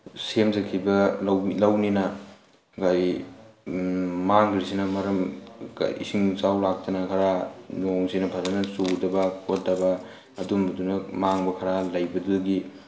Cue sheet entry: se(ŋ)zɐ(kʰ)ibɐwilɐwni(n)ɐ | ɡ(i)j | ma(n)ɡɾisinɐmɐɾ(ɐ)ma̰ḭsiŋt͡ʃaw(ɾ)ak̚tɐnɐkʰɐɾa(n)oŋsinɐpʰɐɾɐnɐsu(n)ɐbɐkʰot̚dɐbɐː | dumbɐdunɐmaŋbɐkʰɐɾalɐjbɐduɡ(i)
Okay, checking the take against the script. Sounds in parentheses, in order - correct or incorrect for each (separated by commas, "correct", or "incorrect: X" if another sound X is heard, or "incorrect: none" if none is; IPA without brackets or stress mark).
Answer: incorrect: m, correct, correct, incorrect: a, incorrect: ŋ, correct, incorrect: l, correct, incorrect: d, correct